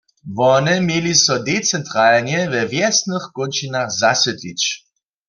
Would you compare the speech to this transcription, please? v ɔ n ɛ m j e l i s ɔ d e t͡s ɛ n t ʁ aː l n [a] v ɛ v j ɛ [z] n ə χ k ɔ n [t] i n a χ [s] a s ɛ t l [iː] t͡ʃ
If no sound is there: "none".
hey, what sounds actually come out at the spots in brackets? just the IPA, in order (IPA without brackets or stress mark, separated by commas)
ɛ, s, t͡ʃ, z, i